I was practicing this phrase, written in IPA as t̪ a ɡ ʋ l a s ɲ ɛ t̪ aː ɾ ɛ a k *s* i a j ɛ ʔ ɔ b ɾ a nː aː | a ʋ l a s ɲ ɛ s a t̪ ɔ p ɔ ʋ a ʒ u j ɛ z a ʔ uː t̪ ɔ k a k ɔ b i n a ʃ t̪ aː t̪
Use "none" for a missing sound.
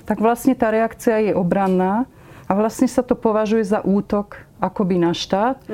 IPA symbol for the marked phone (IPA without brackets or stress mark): t͡s